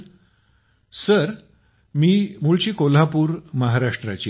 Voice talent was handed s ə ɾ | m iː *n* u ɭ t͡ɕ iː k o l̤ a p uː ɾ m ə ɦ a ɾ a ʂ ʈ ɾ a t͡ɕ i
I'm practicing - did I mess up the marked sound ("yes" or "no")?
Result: yes